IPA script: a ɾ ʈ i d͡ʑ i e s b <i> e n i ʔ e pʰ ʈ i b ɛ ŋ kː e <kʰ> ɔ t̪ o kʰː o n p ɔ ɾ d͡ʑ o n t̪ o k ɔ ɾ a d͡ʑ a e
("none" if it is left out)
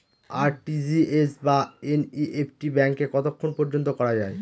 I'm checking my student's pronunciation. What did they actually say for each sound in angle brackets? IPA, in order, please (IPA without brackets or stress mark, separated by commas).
a, k